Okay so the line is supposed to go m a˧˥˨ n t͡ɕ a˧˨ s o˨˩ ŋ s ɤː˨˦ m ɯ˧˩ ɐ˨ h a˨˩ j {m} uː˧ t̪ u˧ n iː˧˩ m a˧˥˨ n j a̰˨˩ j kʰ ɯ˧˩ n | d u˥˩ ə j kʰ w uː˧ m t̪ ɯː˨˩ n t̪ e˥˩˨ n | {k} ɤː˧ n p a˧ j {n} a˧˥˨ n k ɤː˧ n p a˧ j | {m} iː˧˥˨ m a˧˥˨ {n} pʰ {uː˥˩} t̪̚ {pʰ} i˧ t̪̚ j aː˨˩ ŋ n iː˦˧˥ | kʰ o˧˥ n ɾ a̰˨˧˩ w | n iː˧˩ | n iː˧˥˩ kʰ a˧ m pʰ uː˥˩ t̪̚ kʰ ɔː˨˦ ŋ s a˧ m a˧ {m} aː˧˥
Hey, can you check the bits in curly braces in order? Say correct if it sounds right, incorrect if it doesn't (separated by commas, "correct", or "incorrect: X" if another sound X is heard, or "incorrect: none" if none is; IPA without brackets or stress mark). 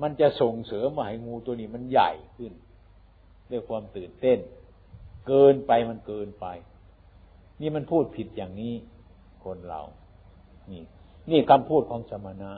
incorrect: ŋ, correct, incorrect: m, incorrect: n, correct, correct, correct, incorrect: n